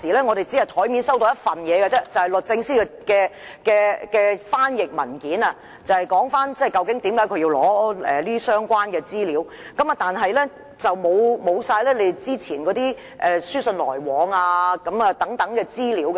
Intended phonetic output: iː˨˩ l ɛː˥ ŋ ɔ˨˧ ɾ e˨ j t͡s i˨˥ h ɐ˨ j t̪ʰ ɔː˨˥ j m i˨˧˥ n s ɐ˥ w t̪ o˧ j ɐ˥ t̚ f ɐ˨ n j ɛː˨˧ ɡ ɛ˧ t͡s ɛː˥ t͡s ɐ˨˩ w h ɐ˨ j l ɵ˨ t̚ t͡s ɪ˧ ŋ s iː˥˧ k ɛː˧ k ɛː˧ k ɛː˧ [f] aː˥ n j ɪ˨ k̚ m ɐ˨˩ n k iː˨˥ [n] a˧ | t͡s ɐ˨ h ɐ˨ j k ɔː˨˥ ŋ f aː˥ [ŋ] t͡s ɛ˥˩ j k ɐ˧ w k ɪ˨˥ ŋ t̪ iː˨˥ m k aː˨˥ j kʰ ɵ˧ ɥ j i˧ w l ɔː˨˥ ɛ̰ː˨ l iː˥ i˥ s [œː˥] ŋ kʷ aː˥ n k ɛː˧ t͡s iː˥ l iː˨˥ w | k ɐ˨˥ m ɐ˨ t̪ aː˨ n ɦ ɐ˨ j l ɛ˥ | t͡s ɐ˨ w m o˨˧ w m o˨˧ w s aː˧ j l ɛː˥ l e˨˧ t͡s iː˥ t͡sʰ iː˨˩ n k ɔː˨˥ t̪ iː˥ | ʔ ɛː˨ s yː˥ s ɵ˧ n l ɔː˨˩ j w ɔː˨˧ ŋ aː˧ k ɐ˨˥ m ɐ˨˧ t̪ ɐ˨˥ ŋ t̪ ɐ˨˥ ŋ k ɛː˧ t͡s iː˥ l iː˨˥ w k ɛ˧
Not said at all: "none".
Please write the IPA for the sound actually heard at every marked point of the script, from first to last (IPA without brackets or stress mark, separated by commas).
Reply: f, n, n, œː˥